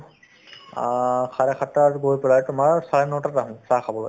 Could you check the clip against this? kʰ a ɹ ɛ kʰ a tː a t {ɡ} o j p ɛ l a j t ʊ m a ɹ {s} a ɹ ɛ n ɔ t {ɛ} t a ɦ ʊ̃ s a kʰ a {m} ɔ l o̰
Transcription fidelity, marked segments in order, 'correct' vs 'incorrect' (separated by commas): correct, correct, incorrect, incorrect